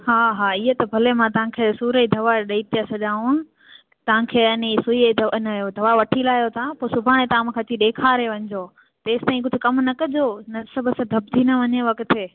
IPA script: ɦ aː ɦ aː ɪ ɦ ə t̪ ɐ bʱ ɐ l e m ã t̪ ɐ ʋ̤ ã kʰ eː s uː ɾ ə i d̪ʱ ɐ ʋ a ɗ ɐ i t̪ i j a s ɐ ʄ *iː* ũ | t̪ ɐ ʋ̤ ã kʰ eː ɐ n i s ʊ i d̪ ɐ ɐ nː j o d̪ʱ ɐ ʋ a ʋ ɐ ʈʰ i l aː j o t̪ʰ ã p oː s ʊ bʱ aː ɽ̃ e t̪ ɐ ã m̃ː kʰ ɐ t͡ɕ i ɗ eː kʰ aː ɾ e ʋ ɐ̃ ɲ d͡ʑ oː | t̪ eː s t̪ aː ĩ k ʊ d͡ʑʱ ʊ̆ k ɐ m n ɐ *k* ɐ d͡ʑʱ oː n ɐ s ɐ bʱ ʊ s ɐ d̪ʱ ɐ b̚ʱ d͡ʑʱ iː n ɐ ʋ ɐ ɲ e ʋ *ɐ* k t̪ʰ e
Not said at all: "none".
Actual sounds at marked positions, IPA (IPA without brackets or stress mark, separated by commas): aː, k, ɐ